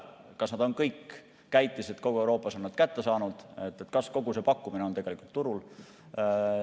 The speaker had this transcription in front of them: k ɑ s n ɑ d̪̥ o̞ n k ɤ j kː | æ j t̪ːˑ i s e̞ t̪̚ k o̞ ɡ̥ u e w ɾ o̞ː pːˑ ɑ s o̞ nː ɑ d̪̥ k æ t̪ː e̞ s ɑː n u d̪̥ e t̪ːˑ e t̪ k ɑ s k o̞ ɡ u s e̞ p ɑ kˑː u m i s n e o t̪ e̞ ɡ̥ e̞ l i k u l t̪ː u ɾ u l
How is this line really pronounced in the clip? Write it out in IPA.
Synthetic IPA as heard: k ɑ s n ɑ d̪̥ o̞ n k ɤ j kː | æ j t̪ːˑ i s e̞ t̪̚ k o̞ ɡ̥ u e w ɾ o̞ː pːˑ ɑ s o̞ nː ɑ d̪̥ k æ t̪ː e̞ s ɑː n u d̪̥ e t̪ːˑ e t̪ k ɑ s k o̞ ɡ u s e̞ p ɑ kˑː u m i n e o t̪ e̞ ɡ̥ e̞ l i k u l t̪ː u ɾ u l